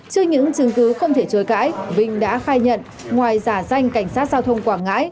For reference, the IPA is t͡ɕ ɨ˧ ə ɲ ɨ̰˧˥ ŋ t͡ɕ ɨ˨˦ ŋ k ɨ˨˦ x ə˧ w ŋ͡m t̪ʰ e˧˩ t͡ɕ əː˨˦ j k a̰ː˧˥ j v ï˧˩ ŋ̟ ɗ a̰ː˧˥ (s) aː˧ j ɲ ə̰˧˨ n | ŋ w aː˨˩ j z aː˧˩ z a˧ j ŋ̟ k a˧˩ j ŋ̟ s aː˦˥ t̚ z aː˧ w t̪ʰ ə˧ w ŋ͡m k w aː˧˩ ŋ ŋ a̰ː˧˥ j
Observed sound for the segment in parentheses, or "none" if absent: x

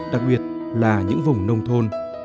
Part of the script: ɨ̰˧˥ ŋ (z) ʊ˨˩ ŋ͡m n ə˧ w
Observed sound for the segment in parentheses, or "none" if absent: v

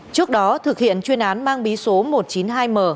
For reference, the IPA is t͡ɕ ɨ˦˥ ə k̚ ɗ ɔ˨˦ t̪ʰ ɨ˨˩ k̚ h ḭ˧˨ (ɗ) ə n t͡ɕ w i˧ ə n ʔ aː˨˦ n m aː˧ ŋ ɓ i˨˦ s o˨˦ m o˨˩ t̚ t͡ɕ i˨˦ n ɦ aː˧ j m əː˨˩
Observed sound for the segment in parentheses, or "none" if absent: none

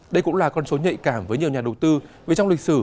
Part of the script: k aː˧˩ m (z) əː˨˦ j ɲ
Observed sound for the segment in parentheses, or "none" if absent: v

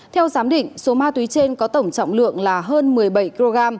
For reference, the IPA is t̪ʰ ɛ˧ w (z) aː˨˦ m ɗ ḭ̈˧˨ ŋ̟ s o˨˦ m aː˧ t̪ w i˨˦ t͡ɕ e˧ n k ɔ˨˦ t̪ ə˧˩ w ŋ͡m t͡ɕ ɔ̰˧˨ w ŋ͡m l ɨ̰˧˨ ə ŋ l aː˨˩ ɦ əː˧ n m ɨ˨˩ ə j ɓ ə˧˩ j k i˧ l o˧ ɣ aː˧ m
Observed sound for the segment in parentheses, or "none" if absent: z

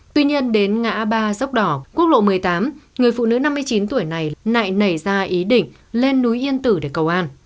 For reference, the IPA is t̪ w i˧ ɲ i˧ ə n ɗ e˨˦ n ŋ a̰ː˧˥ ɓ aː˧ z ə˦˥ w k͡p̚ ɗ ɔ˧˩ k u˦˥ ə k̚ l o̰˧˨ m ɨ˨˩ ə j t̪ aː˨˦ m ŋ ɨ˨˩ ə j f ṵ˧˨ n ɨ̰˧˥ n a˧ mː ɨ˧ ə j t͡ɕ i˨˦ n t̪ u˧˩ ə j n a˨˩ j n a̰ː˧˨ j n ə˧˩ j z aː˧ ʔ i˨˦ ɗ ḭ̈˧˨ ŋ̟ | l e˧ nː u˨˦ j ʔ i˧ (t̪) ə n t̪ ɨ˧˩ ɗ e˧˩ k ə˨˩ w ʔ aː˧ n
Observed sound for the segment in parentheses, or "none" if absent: none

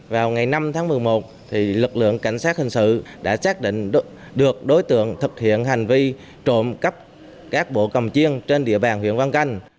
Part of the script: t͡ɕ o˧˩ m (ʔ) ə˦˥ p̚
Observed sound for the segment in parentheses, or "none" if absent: k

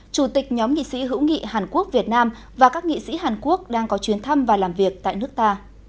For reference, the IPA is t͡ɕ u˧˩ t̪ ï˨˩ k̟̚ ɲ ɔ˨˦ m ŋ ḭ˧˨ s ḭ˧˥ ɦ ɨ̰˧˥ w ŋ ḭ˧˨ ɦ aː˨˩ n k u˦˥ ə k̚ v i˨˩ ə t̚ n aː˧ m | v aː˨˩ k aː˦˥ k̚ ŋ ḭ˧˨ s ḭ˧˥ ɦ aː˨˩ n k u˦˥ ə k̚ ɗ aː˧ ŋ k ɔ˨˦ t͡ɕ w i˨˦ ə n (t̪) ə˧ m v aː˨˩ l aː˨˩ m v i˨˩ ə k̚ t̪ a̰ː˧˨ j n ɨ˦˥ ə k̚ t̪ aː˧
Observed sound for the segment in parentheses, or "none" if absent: t̪ʰ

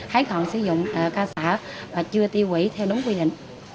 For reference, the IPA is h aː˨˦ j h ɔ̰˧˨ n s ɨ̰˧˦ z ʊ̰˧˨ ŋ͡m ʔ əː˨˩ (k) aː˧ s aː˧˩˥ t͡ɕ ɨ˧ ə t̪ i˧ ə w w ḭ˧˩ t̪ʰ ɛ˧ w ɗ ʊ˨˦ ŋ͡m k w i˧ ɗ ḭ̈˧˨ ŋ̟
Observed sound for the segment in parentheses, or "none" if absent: k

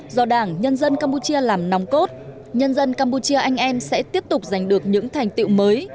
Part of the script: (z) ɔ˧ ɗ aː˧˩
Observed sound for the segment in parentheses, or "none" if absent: z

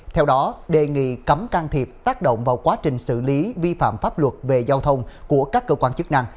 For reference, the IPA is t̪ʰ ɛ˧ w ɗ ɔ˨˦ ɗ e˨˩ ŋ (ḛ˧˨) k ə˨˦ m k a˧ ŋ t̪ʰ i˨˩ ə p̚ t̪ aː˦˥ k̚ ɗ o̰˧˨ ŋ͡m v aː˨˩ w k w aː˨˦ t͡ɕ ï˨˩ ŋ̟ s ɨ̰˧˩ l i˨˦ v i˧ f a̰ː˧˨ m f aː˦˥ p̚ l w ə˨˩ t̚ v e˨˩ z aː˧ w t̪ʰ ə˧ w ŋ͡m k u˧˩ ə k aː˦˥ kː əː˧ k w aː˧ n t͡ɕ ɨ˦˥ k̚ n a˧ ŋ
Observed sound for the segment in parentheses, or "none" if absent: ḭ˧˨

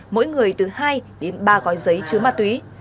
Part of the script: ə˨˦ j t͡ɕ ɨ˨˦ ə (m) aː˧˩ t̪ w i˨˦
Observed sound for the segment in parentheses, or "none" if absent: m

